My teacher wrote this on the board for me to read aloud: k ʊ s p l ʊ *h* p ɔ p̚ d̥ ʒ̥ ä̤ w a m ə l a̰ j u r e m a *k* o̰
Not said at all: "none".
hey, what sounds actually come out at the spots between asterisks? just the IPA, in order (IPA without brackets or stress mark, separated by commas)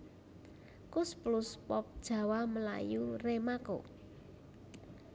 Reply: s, k